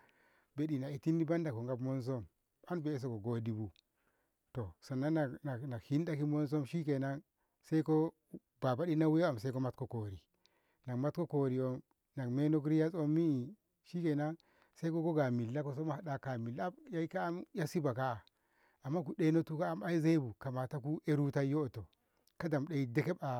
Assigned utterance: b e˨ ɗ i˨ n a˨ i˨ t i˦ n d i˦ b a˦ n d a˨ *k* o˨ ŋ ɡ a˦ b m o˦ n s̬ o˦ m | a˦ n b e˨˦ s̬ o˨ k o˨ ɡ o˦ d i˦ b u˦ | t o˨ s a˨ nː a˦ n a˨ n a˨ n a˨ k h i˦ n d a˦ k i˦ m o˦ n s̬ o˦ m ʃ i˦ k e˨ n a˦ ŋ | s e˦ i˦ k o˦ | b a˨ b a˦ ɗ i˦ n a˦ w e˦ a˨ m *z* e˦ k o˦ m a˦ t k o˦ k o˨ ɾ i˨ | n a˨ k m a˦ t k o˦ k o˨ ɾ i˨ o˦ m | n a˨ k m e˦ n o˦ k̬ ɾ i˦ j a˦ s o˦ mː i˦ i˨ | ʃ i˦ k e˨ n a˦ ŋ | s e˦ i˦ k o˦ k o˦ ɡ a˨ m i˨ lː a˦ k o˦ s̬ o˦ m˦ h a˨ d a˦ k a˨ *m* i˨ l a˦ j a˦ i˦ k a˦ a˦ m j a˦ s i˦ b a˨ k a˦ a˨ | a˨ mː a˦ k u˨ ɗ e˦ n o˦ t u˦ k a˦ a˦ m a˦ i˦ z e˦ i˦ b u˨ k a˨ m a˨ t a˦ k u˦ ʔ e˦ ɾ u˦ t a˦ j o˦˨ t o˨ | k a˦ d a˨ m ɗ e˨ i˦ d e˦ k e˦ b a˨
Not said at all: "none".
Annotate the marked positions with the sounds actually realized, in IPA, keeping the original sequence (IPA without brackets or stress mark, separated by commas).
k, s, m